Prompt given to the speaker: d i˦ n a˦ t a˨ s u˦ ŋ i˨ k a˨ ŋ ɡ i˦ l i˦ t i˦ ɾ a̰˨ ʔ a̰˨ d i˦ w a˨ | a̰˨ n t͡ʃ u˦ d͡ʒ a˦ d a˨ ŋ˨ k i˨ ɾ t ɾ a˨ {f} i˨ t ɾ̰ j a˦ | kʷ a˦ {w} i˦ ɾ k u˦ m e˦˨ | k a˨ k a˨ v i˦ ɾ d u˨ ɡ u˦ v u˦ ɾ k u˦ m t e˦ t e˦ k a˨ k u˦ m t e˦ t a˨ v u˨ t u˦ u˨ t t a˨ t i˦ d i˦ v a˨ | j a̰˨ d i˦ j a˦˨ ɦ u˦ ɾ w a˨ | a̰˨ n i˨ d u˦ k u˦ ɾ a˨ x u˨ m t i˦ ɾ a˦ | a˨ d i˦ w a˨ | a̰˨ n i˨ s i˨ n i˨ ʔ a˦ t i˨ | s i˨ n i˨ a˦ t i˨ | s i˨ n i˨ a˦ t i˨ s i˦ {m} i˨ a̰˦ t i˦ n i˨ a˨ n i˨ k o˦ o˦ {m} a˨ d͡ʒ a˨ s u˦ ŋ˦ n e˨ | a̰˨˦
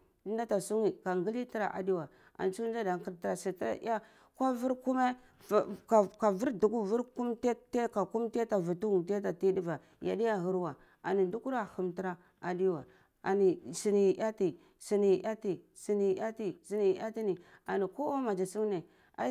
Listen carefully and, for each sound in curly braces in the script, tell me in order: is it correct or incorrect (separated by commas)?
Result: incorrect, incorrect, incorrect, correct